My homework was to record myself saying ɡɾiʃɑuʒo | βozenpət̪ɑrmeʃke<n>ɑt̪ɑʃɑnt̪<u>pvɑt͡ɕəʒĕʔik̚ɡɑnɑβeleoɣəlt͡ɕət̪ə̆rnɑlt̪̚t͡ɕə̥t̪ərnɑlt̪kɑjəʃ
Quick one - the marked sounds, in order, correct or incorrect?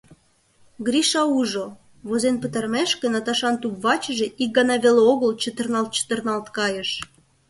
correct, correct

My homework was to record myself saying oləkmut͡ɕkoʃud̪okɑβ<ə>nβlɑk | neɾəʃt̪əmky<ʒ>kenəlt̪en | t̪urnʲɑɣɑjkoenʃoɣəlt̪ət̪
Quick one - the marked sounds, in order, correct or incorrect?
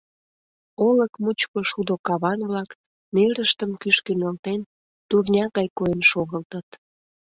incorrect: ɑ, incorrect: ʃ

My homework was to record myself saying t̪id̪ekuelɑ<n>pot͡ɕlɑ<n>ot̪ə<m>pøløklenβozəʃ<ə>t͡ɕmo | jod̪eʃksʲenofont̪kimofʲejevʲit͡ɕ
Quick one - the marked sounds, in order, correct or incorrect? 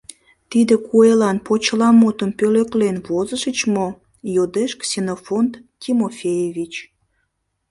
correct, incorrect: m, correct, correct

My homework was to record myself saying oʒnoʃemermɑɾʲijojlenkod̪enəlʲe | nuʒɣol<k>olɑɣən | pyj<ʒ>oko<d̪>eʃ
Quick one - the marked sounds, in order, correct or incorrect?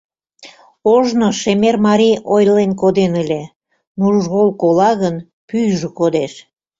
correct, correct, correct

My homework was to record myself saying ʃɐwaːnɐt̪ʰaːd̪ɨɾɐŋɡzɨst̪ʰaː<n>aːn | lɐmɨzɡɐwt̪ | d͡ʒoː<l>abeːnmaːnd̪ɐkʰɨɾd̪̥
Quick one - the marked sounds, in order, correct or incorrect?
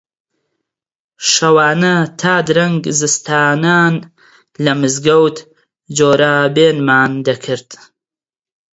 correct, incorrect: ɾ

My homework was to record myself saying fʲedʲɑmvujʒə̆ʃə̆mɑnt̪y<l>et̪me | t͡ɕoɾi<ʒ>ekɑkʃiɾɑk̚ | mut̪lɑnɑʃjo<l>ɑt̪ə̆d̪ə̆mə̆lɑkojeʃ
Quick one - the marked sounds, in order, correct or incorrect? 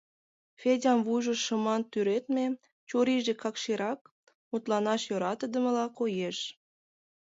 incorrect: ɾ, correct, incorrect: ɾ

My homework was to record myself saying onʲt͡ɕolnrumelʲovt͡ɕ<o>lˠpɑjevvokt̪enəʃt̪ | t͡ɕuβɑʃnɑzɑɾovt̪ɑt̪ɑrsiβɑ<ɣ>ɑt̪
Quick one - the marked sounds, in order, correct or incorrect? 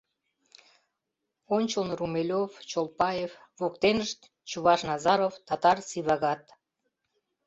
correct, correct

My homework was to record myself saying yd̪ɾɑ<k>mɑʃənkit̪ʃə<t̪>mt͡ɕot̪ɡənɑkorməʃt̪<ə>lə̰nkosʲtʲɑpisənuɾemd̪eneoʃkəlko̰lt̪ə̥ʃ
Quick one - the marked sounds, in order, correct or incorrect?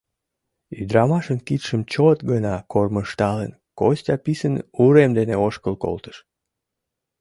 incorrect: none, incorrect: none, incorrect: ɑ

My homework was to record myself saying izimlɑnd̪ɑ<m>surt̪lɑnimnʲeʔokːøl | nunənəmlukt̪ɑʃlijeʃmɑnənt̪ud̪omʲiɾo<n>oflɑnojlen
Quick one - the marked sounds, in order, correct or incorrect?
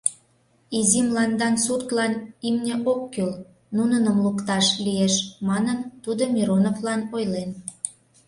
incorrect: n, correct

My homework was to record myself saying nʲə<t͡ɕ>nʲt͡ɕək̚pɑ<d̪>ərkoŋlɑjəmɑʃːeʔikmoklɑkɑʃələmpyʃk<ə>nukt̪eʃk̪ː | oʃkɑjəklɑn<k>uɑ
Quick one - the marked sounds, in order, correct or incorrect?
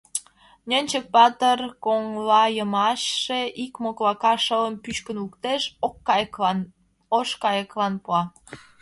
incorrect: none, incorrect: t̪, correct, incorrect: p

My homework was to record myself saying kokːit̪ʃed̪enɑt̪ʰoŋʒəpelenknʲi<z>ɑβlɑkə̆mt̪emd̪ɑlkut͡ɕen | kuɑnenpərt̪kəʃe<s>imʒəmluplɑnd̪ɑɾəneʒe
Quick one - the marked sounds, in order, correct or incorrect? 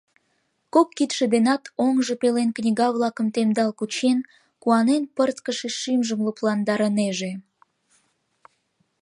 incorrect: ɣ, incorrect: ʃ

